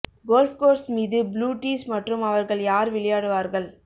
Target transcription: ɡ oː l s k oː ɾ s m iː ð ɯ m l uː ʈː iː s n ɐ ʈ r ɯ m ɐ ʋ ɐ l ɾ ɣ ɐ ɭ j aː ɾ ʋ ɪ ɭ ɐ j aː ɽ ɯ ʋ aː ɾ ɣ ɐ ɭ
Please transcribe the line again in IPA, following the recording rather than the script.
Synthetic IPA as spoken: ɡ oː l f k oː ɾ s m iː ð ɯ b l uː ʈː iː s m ɐ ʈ r ɯ m ɐ ʋ ɐ ɾ ɣ ɐ ɭ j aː ɾ ʋ ɪ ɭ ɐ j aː ɽ ɯ ʋ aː ɾ ɣ ɐ ɭ